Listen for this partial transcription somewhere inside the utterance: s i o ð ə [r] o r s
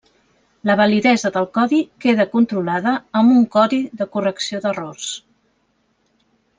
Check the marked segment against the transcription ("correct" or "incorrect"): correct